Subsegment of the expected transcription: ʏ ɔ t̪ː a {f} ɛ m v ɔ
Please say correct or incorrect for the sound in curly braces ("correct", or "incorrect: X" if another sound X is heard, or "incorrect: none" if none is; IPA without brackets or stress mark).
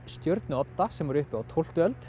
incorrect: s